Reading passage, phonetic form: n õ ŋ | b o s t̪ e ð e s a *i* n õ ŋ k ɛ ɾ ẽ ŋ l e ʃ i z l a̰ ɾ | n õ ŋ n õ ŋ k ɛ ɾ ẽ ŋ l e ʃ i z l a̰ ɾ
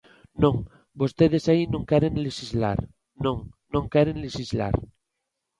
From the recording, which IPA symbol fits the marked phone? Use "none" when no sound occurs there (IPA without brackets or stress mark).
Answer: i